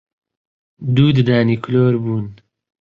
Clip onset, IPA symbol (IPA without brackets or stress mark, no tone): d̪